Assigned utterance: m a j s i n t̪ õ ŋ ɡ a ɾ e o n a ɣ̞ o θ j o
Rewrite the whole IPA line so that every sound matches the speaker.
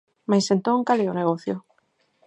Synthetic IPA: m a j s e n t̪ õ ŋ k a l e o n e ɣ̞ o θ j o